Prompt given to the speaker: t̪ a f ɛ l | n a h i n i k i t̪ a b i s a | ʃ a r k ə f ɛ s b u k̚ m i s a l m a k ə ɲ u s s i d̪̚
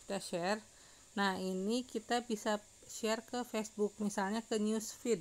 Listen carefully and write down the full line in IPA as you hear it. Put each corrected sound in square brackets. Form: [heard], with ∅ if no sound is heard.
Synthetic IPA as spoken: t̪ a [ʃ] ɛ [r] | n a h i n i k i t̪ a b i s a | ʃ [ɛ] r k ə f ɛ s b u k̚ m i s a l [ɲ] a k ə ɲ u s [f] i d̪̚